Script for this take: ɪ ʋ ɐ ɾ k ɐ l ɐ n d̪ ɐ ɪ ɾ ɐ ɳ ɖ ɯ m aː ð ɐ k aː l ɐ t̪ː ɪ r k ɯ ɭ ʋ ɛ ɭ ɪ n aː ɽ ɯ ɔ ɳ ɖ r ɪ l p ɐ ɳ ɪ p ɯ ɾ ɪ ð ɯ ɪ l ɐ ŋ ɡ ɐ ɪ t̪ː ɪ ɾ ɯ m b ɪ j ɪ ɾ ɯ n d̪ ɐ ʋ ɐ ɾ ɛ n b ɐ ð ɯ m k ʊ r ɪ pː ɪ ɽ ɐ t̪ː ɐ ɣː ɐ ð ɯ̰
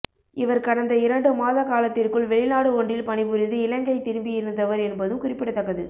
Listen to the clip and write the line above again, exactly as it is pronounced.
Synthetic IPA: ɪ ʋ ɐ ɾ k ɐ ɽ ɐ n d̪ ɐ ɪ ɾ ɐ ɳ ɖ ɯ m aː ð ɐ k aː l ɐ t̪ː ɪ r k ɯ ɭ ʋ ɛ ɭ ɪ n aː ɽ ɯ ɔ ɳ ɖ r ɪ l p ɐ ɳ ɪ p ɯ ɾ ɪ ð ɯ ɪ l ɐ ŋ ɡ ɐ ɪ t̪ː ɪ ɾ ɯ m b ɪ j ɪ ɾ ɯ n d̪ ɐ ʋ ɐ ɾ ɛ n b ɐ ð ɯ m k ʊ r ɪ pː ɪ ɽ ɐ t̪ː ɐ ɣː ɐ ð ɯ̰

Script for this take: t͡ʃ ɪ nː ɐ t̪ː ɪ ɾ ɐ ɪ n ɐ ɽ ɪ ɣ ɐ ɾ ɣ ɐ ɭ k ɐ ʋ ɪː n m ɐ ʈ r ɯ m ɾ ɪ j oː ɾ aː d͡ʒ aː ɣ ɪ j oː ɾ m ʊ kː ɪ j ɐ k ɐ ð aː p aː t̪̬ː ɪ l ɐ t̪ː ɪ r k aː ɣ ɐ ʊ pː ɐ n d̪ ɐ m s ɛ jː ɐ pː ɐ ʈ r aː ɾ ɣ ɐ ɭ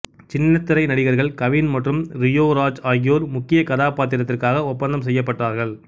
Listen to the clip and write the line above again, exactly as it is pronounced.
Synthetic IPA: t͡ʃ ɪ nː ɐ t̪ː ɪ ɾ ɐ ɪ n ɐ ɽ ɪ ɣ ɐ ɾ ɣ ɐ ɭ k ɐ ʋ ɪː n m ɐ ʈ r ɯ m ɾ ɪ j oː ɾ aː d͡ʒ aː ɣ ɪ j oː ɾ m ʊ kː ɪ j ɐ k ɐ ð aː p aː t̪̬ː ɪ ɾ ɐ t̪ː ɪ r k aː ɣ ɐ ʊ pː ɐ n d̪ ɐ m s ɛ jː ɐ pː ɐ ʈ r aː ɾ ɣ ɐ ɭ

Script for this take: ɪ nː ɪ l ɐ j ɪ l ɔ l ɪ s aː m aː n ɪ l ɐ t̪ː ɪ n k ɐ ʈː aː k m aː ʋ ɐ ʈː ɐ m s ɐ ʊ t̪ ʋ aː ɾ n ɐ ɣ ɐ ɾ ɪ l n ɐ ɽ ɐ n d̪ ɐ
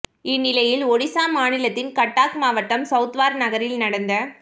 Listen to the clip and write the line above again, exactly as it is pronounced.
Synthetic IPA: ɪ nː ɪ l ɐ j ɪ l ɔ ɽ ɪ s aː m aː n ɪ l ɐ t̪ː ɪ n k ɐ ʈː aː k m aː ʋ ɐ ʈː ɐ m s ɐ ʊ t̪ ʋ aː ɾ n ɐ ɣ ɐ ɾ ɪ l n ɐ ɽ ɐ n d̪ ɐ

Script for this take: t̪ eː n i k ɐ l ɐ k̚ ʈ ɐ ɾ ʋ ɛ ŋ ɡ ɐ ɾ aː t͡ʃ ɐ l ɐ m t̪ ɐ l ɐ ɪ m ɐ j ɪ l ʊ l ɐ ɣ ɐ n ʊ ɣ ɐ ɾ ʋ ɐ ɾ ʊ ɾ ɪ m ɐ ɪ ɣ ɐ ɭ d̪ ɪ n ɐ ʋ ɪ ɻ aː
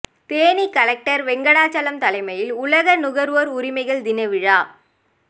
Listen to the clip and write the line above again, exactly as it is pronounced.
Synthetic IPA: t̪ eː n i k ɐ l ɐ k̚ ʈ ɐ ɾ ʋ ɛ ŋ ɡ ɐ ɽ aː t͡ʃ ɐ l ɐ m t̪ ɐ l ɐ ɪ m ɐ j ɪ l ʊ l ɐ ɣ ɐ n ʊ ɣ ɐ ɾ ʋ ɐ ɾ ʊ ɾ ɪ m ɐ ɪ ɣ ɐ ɭ d̪ ɪ n ɐ ʋ ɪ ɻ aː

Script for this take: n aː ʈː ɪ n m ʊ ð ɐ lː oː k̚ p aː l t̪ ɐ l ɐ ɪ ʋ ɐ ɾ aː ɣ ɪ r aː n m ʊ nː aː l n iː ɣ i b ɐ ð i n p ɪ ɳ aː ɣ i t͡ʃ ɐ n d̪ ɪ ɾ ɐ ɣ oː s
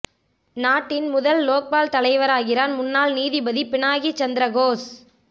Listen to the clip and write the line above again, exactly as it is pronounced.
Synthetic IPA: n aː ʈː ɪ n m ʊ ð ɐ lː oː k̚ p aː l t̪ ɐ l ɐ ɪ ʋ ɐ ɾ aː ɣ ɪ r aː n m ʊ nː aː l n iː ð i b ɐ ð i p ɪ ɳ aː ɣ i t͡ʃ ɐ n d̪ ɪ ɾ ɐ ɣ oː s

